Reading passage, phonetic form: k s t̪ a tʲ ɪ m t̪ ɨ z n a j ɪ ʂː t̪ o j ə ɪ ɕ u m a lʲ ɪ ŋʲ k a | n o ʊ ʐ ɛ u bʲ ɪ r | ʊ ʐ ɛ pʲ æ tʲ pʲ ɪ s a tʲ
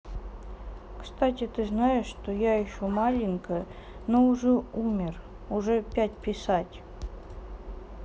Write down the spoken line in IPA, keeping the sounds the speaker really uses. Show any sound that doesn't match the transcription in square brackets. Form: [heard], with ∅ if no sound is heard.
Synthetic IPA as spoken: k s t̪ a tʲ ɪ [∅] t̪ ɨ z n a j ɪ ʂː t̪ o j [a] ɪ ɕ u m a lʲ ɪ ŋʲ k [ə] | n o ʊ ʐ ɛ u [mʲ] ɪ r | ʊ ʐ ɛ pʲ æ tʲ pʲ ɪ s a tʲ